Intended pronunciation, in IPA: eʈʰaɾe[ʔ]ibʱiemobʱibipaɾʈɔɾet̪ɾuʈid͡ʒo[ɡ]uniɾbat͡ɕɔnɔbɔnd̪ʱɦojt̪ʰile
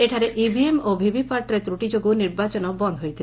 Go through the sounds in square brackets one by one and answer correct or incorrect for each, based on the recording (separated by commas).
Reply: correct, correct